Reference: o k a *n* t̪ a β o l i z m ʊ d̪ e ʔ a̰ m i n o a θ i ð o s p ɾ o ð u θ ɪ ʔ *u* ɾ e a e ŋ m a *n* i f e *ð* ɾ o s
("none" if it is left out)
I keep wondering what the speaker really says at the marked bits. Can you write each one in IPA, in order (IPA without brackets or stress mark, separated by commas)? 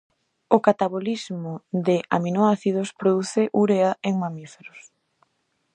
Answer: none, u, m, none